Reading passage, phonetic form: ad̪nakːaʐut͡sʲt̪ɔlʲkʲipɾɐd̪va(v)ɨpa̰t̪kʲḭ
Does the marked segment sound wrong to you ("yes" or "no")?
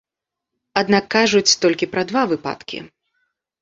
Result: no